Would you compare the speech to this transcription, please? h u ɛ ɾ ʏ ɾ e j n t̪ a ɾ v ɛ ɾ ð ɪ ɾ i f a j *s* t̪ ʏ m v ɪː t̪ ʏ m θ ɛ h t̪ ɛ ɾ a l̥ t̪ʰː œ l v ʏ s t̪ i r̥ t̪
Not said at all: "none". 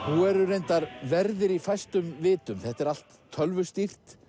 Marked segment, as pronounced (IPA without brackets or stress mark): s